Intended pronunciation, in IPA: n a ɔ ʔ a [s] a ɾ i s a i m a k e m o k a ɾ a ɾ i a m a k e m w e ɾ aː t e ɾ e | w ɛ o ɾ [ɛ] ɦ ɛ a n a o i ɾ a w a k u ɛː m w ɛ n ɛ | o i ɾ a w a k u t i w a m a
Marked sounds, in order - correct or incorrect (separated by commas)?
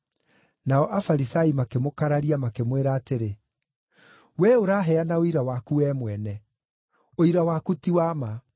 incorrect, incorrect